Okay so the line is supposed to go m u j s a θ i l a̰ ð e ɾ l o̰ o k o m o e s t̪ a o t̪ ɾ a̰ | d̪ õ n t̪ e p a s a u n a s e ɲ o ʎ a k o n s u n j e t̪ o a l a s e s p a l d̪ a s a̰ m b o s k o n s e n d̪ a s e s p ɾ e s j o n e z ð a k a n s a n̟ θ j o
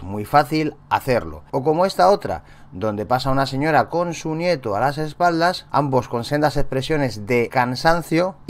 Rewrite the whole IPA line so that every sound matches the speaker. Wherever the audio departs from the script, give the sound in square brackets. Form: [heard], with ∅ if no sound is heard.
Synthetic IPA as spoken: m u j [f] a θ i l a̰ [θ] e ɾ l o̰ o k o m o e s t̪ a o t̪ ɾ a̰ | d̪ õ n [d̪] e p a s a u n a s e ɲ o [ɾ] a k o n s u n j e t̪ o a l a s e s p a l d̪ a s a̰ m b o s k o n s e n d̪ a s e s p ɾ e s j o n e z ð [e] k a n s a n̟ θ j o